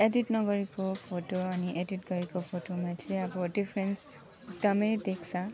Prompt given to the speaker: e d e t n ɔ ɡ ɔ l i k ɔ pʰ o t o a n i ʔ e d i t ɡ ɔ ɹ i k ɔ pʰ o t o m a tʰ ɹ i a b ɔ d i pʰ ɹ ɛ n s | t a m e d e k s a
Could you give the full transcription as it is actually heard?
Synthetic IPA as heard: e d i t n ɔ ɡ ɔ ɹ i k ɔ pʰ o t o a n i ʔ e d i t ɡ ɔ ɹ i k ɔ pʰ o t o m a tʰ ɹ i a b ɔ d i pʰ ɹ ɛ n s | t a m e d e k s a